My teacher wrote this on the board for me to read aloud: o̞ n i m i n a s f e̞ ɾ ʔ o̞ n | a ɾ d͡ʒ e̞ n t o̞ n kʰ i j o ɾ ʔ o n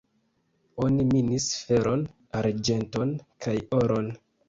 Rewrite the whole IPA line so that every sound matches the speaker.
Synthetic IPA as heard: o̞ n i m i n i s f e̞ ɾ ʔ o̞ n | a ɾ d͡ʒ e̞ n t o̞ n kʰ a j o ɾ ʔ o n